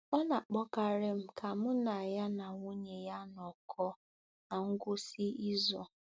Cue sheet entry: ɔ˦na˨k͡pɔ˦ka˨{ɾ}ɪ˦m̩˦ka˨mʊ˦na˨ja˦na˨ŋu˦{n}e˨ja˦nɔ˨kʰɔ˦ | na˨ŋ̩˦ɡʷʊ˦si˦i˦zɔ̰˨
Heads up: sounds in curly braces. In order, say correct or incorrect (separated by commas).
correct, incorrect